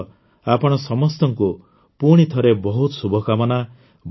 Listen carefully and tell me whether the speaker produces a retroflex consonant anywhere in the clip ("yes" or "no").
yes